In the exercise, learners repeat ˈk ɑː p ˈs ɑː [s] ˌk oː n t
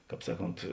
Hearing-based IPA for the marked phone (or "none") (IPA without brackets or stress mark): none